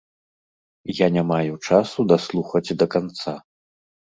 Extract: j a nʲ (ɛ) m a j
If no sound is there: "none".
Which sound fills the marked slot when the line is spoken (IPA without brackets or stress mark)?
a